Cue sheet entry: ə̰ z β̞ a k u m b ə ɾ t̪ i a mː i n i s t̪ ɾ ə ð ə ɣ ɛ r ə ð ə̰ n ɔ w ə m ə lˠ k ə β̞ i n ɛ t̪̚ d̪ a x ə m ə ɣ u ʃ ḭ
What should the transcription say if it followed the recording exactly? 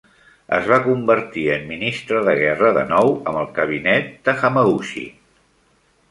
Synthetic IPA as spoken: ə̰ z β̞ a k u m b ə ɾ t̪ i ə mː i n i s t̪ ɾ ə ð ə ɣ ɛ r ə ð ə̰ n ɔ w ə m ə lˠ k ə β̞ i n ɛ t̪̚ d̪ ə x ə m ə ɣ u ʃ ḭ